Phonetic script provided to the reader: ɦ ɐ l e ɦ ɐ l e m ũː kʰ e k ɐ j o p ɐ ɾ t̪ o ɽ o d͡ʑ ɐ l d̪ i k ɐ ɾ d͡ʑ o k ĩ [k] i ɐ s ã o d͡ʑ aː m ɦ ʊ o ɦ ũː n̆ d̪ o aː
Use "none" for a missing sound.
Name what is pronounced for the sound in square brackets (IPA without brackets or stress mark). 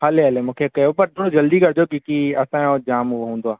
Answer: k